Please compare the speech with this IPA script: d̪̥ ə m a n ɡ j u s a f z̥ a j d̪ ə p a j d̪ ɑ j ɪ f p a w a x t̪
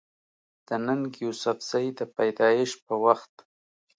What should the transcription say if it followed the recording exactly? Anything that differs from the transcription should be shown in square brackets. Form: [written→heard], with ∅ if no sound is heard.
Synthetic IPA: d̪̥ ə [m→n] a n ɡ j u s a f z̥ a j d̪ ə p a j d̪ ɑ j ɪ [f→ʃ] p [a→ə] w a x t̪